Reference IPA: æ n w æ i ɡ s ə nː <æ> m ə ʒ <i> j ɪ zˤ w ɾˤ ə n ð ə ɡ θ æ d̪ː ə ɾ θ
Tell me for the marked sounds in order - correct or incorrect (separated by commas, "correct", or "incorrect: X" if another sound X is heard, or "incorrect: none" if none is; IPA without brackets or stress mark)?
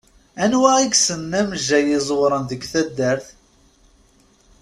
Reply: correct, incorrect: æ